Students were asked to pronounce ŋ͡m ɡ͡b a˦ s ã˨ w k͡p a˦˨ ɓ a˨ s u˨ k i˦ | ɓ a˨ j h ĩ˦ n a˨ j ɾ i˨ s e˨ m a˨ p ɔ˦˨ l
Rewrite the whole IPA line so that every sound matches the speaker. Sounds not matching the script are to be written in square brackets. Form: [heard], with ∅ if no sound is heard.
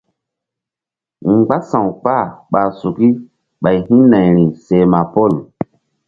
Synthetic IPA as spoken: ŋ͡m ɡ͡b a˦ s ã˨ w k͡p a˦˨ ɓ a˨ s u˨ k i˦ | ɓ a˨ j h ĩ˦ n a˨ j ɾ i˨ s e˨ m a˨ p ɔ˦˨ l